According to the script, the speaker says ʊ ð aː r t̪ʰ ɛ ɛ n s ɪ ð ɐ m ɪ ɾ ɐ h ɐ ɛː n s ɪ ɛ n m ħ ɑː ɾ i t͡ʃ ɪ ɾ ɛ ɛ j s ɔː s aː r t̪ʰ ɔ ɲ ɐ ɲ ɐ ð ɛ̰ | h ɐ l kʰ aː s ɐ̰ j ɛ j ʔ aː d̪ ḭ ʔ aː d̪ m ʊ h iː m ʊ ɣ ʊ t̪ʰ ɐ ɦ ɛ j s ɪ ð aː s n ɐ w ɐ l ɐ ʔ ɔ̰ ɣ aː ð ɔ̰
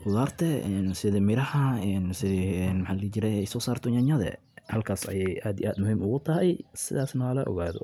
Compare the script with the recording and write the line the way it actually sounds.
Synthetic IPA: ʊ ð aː r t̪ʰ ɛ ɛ n s ɪ ð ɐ m ɪ ɾ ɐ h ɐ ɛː n s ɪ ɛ n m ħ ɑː l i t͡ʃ ɪ ɾ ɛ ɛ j s ɔː s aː r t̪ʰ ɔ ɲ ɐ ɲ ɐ ð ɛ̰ | h ɐ l kʰ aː s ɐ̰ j ɛ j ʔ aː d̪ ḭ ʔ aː d̪ m ʊ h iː m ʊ ɣ ʊ t̪ʰ ɐ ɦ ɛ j s ɪ ð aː s n ɐ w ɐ l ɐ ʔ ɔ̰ ɣ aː ð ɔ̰